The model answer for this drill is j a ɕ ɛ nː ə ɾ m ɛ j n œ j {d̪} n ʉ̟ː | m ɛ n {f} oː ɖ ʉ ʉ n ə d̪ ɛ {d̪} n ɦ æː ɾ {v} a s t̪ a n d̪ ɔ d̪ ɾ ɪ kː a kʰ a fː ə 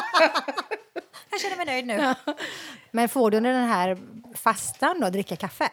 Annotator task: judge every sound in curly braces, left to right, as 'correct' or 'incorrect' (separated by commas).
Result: correct, correct, incorrect, incorrect